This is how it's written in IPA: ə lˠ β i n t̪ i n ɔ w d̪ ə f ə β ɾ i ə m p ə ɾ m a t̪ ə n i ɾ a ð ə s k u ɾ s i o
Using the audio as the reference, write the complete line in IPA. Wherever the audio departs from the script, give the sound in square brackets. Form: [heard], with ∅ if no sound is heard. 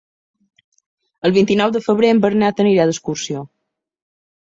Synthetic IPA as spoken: ə lˠ β i n t̪ i n ɔ w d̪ ə f ə β ɾ [e] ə m [b] ə ɾ [n] a t̪ ə n i ɾ a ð ə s k u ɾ s i o